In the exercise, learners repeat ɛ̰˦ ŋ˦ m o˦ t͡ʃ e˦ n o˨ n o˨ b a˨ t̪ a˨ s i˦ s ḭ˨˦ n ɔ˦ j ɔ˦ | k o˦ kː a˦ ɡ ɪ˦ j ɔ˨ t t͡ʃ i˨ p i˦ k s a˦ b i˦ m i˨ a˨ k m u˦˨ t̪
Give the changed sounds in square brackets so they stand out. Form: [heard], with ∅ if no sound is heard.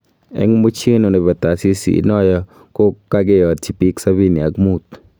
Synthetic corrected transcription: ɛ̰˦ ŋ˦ m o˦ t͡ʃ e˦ n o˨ n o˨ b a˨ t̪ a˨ s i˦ s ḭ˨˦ n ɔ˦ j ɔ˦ | k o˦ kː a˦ ɡ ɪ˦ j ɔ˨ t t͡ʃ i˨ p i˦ k s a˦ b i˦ [n] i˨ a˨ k m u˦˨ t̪